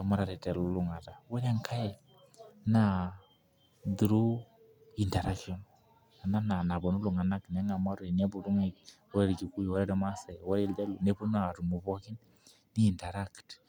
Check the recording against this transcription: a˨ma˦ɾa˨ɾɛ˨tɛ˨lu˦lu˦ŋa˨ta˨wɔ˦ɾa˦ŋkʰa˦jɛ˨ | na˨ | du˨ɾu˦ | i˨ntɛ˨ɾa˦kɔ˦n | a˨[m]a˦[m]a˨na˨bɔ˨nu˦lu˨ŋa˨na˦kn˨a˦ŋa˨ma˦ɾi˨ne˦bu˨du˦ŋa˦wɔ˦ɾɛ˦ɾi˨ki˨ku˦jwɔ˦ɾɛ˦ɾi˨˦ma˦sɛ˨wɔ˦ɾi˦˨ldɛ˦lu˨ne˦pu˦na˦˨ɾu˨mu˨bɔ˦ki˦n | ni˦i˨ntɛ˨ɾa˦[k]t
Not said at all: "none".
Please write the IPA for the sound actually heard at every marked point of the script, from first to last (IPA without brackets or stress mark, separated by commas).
n, n, k